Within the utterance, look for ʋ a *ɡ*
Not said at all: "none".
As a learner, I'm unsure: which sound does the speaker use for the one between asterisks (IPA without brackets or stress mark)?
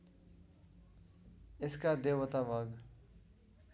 ɡ